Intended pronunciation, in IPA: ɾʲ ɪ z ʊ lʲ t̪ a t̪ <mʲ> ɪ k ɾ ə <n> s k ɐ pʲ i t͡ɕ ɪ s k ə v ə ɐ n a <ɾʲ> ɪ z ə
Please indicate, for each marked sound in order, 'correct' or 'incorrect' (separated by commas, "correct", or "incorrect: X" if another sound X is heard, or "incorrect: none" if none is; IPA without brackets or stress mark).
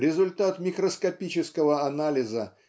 correct, incorrect: none, incorrect: lʲ